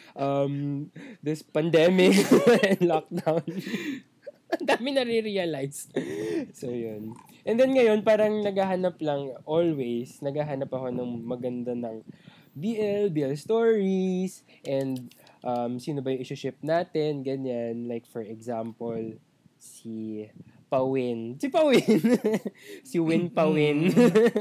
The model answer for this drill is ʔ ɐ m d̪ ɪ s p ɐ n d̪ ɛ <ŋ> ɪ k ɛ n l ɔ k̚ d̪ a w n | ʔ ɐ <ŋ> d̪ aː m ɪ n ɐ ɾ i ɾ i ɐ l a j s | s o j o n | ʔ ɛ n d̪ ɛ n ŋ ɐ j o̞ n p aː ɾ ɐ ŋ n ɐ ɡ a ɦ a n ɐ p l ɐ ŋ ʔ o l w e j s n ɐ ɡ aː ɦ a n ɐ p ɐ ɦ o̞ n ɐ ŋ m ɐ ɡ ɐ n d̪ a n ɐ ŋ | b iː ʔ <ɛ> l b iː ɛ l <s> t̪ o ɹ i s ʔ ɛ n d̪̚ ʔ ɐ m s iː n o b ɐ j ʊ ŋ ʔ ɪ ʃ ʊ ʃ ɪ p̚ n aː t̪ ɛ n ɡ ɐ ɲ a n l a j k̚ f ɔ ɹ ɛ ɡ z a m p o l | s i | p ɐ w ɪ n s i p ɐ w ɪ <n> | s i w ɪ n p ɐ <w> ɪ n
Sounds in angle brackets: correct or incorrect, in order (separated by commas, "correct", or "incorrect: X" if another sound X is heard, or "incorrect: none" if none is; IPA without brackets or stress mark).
incorrect: m, incorrect: n, correct, correct, correct, correct